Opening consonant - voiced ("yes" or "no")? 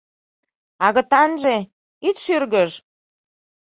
yes